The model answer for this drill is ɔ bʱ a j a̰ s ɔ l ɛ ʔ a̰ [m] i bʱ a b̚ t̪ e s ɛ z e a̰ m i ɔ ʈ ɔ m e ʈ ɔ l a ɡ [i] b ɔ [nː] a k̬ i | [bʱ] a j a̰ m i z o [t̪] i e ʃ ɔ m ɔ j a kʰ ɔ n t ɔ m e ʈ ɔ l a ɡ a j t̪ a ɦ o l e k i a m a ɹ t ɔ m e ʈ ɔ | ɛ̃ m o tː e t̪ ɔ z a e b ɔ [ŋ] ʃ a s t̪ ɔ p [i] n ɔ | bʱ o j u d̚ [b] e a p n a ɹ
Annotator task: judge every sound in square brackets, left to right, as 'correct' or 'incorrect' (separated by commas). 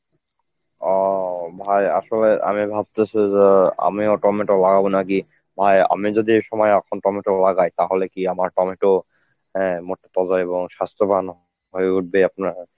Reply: correct, incorrect, incorrect, correct, incorrect, correct, incorrect, correct